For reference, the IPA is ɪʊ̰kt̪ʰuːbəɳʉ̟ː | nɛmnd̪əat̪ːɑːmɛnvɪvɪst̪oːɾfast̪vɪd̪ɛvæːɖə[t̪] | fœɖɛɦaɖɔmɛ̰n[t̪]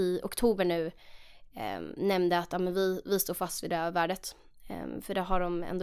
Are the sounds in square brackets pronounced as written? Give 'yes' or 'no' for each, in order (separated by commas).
yes, no